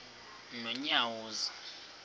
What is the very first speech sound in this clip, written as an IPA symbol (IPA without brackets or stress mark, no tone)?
n